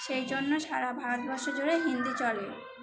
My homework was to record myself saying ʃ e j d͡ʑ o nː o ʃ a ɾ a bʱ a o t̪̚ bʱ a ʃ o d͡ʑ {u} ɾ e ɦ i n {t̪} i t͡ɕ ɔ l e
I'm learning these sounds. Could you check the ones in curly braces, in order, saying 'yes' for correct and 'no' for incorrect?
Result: no, no

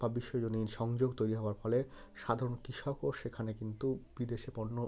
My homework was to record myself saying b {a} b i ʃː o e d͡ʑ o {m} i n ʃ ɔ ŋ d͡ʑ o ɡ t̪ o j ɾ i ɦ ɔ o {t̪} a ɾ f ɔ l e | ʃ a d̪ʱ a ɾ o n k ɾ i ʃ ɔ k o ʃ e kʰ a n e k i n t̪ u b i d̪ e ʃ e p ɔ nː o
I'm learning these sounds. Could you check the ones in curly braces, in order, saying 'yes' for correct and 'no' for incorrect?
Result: yes, no, no

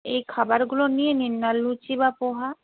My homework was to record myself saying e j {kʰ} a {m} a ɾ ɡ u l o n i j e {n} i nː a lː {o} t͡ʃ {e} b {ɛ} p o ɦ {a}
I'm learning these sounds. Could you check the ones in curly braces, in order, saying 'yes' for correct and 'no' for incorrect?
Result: yes, no, yes, no, no, no, yes

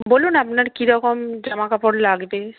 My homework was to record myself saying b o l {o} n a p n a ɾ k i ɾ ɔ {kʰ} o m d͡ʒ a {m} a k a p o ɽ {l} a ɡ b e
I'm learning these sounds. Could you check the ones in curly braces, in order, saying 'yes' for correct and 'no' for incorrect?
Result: no, no, yes, yes

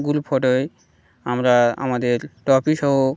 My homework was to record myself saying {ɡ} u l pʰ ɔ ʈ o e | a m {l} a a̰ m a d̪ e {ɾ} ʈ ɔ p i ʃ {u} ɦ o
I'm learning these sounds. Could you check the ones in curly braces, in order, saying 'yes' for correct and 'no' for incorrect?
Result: yes, no, yes, no

